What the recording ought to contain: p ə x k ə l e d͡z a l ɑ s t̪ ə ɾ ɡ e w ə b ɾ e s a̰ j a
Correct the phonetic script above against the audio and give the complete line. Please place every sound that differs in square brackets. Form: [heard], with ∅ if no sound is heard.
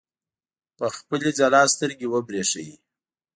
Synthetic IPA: p ə x [p] ə l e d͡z a l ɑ s t̪ ə ɾ ɡ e w ə b ɾ e [ʂ] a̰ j [i]